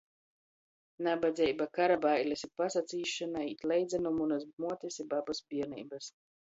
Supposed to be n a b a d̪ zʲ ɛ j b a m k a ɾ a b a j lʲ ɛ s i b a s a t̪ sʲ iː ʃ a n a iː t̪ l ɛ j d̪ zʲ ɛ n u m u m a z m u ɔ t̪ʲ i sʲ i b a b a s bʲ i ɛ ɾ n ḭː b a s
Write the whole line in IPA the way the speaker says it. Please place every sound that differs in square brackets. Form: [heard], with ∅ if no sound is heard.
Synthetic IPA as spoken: n a b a d̪ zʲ ɛ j b a [∅] k a ɾ a b a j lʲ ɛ s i [p] a s a t̪ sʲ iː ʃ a n a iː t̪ l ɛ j d̪ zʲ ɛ n u m u [n] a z m u ɔ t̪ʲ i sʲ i b a b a s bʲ i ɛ ɾ n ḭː b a s